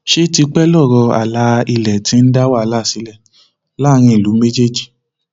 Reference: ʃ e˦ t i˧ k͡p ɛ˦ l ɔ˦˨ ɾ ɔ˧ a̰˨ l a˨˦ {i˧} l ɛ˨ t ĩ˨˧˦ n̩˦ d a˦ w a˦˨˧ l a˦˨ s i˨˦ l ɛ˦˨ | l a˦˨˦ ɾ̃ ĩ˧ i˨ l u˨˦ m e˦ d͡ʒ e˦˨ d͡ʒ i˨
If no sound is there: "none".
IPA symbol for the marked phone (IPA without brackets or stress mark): i˧